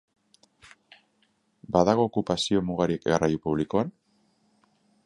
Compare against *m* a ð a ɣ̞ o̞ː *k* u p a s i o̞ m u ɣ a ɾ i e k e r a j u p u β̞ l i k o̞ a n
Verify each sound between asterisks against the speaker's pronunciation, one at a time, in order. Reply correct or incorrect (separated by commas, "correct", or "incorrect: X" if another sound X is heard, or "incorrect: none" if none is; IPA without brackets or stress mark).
incorrect: b, correct